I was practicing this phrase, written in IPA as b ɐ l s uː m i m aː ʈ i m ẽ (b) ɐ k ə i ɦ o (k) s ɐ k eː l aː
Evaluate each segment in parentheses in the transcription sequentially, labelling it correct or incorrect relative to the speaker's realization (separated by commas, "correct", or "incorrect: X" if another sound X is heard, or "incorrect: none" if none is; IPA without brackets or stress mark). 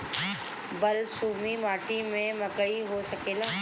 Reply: incorrect: m, incorrect: none